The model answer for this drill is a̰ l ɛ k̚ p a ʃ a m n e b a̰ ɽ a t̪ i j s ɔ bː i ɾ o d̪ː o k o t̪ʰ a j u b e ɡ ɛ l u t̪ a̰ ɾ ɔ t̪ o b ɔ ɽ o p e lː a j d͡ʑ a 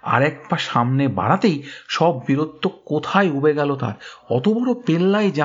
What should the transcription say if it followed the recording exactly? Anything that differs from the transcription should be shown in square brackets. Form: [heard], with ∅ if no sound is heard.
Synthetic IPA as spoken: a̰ [ɾ] ɛ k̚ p a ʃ a m n e b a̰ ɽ a t̪ [e] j [ʃ] ɔ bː i ɾ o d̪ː o k o t̪ʰ a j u b e ɡ ɛ l [o] t̪ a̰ ɾ ɔ t̪ o b ɔ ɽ o p e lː a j d͡ʑ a